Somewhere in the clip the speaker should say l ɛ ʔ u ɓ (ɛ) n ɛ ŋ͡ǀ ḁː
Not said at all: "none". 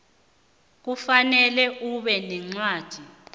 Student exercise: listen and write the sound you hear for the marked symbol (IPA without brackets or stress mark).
ɛ